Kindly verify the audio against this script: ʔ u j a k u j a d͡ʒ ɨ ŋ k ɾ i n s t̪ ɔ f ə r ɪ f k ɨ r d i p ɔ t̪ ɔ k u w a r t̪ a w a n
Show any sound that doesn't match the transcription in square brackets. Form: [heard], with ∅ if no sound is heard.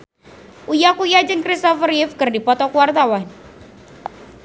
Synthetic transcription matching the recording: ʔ u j a k u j a d͡ʒ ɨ ŋ k ɾ i [∅] s t̪ ɔ f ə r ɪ f k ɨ r d i p ɔ t̪ ɔ k u w a r t̪ a w a n